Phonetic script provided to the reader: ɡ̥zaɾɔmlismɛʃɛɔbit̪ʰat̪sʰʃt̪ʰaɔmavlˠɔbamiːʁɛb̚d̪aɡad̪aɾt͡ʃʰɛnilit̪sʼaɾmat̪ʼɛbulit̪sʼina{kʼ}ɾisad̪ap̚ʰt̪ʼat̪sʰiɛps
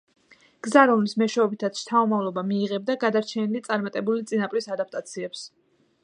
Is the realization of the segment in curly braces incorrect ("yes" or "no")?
yes